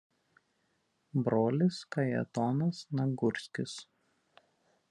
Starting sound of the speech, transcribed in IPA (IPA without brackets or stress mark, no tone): b